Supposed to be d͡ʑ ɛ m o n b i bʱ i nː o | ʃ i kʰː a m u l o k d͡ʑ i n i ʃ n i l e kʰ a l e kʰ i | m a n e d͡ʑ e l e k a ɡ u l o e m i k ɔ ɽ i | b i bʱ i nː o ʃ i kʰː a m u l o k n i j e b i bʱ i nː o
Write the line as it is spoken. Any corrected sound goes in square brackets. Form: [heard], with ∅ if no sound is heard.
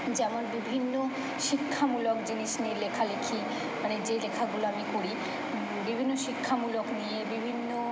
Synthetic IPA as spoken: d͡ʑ ɛ m o n b i bʱ i nː o | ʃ i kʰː a m u l o k d͡ʑ i n i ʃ n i l e kʰ a l e kʰ i | m a n e d͡ʑ e l e [kʰ] a ɡ u l o [a] m i k [o] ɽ i | b i bʱ i nː o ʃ i kʰː a m u l o k n i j e b i bʱ i nː o

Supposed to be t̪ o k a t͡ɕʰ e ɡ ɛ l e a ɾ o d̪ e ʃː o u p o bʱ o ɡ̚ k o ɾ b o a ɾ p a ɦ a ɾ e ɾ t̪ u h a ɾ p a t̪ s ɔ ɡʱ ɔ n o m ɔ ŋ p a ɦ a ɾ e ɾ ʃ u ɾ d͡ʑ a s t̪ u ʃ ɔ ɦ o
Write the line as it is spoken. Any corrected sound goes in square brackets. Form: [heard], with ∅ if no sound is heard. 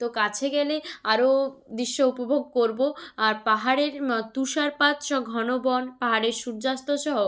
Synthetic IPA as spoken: t̪ o k a t͡ɕʰ e ɡ ɛ l e a ɾ o d̪ [i] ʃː o u p o bʱ o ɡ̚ k o ɾ b o a ɾ p a ɦ a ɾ e ɾ t̪ u [ʃ] a ɾ p a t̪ [ʃ] ɔ ɡʱ ɔ n o [b] ɔ [n] p a ɦ a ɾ e ɾ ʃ u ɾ d͡ʑ a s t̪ [o] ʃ ɔ ɦ o

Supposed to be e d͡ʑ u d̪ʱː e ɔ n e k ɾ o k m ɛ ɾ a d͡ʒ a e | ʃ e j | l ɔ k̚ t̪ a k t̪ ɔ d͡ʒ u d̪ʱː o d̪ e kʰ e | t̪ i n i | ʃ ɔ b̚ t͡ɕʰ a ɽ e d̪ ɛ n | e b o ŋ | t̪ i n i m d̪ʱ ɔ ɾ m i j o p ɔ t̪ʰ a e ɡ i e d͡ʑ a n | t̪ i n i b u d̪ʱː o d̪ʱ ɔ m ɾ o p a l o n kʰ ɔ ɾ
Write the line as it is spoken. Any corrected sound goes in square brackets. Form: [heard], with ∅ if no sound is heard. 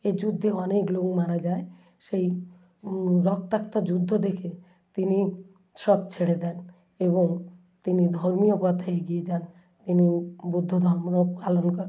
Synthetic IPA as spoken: e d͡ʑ u d̪ʱː e ɔ n e k [l] o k m [a] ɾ a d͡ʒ a e | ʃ e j | [ɾ] ɔ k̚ t̪ a k t̪ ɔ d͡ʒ u d̪ʱː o d̪ e kʰ e | t̪ i n i | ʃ ɔ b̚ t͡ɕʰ [e] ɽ e d̪ ɛ n | e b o ŋ | t̪ i n i [∅] d̪ʱ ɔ ɾ m i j o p ɔ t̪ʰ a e ɡ i e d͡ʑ a n | t̪ i n i b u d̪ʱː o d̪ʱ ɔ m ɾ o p a l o n [k] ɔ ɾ

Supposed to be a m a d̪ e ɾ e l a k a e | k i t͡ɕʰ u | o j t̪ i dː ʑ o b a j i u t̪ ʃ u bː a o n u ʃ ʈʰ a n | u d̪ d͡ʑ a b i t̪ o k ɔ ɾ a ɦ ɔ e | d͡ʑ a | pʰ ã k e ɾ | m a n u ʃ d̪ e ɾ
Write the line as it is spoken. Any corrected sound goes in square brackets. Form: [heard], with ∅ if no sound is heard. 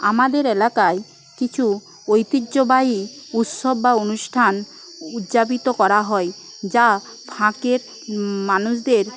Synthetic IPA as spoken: a m a d̪ e ɾ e l a k a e | k i t͡ɕʰ u | o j t̪ i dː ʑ o b a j i u t̪ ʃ [o] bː a o n u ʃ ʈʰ a n | u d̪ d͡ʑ a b i t̪ o k ɔ ɾ a ɦ ɔ e | d͡ʑ a | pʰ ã k e ɾ | m a n u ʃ d̪ e ɾ

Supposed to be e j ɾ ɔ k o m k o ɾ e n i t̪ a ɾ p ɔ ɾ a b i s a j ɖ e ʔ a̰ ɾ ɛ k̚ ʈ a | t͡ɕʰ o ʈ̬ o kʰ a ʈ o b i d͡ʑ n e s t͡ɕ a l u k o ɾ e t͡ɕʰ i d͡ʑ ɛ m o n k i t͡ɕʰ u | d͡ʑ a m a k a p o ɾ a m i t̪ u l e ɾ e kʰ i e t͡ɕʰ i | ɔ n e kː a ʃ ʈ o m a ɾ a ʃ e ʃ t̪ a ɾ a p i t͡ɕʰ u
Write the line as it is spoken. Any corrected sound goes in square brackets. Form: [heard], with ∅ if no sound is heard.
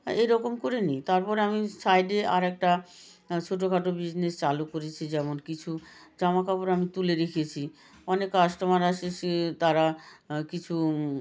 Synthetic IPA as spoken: e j ɾ ɔ k o m k o ɾ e n i t̪ a ɾ p ɔ ɾ a [m] i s a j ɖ e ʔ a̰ ɾ ɛ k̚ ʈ a | t͡ɕʰ o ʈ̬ o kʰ a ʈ o b i d͡ʑ n e s t͡ɕ a l u k o ɾ e t͡ɕʰ i d͡ʑ ɛ m o n k i t͡ɕʰ u | d͡ʑ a m a k a p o ɾ a m i t̪ u l e ɾ e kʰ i e t͡ɕʰ i | ɔ n e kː a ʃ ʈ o m a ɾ a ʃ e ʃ t̪ a ɾ a [k] i t͡ɕʰ u

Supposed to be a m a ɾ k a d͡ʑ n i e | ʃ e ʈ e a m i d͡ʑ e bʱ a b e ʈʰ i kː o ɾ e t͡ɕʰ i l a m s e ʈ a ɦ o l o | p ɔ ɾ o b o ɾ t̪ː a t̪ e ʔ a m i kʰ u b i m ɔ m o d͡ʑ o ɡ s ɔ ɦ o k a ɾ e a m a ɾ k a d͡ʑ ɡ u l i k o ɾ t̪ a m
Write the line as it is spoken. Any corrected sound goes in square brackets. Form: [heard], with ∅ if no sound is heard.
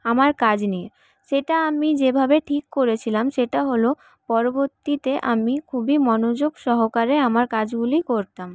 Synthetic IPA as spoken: a m a ɾ k a d͡ʑ n i e | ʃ e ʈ [a] a m i d͡ʑ e bʱ a b e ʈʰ i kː o ɾ e t͡ɕʰ i l a m [ʃ] e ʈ a ɦ o l o | p ɔ ɾ o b o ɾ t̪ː [i] t̪ e ʔ a m i kʰ u b i m ɔ [n] o d͡ʑ o ɡ [ʃ] ɔ ɦ o k a ɾ e a m a ɾ k a d͡ʑ ɡ u l i k o ɾ t̪ a m

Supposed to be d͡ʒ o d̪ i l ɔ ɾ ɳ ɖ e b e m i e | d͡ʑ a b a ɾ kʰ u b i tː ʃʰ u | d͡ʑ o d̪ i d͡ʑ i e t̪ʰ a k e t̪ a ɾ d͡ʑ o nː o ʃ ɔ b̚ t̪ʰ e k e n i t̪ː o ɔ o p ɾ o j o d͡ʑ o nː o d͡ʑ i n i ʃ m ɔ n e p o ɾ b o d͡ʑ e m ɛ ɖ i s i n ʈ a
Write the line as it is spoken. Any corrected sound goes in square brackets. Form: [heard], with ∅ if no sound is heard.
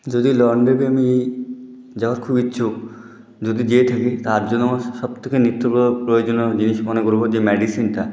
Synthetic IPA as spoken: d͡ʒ o d̪ i l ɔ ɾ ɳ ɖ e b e m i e | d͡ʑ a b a ɾ kʰ u b i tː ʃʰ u | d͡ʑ o d̪ i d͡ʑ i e t̪ʰ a k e t̪ a ɾ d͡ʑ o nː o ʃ ɔ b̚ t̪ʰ e k e n i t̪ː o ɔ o p ɾ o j o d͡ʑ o [n] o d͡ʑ i n i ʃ m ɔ n e [k] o ɾ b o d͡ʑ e m ɛ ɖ i s i n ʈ a

